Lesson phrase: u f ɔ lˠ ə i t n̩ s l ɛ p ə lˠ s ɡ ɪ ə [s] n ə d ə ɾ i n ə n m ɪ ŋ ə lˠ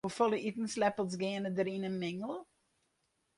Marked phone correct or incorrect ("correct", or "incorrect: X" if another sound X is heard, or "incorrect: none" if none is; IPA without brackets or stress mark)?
incorrect: none